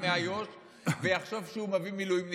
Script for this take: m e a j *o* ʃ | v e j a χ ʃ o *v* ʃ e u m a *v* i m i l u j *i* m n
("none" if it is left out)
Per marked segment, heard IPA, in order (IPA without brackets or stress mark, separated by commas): o, v, v, i